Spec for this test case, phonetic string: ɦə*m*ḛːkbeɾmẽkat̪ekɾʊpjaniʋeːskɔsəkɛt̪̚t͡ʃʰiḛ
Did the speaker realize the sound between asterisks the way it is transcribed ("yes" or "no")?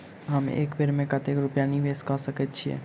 yes